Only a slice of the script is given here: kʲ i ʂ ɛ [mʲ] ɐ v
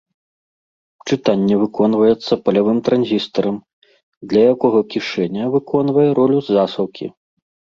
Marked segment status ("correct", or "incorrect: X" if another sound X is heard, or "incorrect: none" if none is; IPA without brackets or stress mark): incorrect: nʲ